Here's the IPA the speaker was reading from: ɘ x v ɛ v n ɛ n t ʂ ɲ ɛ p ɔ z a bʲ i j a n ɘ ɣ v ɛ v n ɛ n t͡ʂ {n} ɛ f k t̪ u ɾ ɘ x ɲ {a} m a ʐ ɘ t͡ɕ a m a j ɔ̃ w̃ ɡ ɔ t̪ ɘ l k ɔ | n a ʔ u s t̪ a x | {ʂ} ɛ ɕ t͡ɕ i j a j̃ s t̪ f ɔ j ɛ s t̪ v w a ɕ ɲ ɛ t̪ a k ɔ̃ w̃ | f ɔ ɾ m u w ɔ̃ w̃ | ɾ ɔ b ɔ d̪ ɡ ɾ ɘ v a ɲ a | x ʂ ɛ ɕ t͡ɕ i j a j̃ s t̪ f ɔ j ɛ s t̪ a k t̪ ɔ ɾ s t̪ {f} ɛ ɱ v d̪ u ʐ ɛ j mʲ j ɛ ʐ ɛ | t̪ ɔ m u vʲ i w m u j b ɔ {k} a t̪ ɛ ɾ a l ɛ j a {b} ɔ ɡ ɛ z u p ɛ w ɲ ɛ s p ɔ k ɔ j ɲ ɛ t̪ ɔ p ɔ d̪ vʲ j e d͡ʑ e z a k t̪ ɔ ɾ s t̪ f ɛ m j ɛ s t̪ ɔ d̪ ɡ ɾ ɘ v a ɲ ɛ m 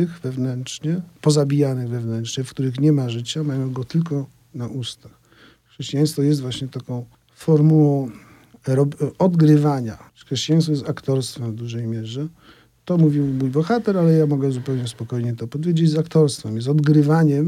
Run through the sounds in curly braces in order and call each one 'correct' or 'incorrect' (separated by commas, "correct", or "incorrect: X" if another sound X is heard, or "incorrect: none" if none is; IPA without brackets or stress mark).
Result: incorrect: ɲ, incorrect: ɛ, correct, correct, incorrect: x, incorrect: m